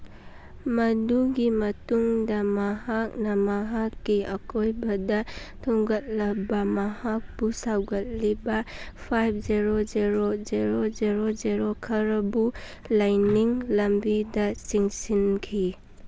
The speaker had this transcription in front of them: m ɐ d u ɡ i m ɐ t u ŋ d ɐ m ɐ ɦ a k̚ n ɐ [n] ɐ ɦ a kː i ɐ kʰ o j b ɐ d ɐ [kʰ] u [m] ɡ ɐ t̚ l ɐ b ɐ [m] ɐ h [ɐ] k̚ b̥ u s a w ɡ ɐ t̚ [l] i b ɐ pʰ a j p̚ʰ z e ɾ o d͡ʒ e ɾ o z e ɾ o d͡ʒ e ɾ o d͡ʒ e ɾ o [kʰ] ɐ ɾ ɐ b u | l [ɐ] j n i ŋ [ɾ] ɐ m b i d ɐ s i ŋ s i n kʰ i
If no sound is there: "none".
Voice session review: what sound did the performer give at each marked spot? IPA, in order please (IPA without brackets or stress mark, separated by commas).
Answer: m, tʰ, ŋ, m, a, l, kʰ, a, l